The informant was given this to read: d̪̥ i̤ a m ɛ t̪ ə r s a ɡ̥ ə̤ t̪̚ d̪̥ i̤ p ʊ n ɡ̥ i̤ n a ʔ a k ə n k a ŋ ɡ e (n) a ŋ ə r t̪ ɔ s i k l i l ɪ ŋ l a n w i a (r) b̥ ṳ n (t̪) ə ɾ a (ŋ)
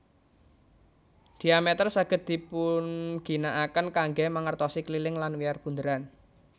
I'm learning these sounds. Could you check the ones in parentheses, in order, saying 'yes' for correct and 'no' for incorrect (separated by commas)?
no, yes, no, no